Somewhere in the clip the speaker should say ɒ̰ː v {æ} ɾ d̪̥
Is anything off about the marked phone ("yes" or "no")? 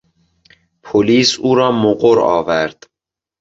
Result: no